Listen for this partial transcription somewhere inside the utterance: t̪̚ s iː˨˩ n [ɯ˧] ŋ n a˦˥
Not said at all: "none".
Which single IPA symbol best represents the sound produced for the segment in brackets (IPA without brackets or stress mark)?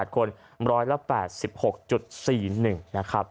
ɯ˨˩